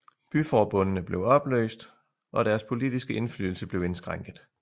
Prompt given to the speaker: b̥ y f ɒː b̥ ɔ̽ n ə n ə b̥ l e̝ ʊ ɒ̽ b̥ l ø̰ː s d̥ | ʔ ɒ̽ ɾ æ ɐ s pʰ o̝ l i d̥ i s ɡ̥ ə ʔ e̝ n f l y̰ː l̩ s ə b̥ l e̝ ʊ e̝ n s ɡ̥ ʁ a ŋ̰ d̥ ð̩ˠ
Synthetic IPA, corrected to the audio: b̥ y f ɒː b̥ ɔ̽ n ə n ə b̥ l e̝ ʊ ɒ̽ b̥ l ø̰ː s d̥ | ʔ ɒ̽ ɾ æ ɐ s pʰ o̝ l i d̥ i s ɡ̥ ə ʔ e̝ n f l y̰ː l̩ s ə b̥ l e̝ ʊ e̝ n s ɡ̥ ʁ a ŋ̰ ɡ̥ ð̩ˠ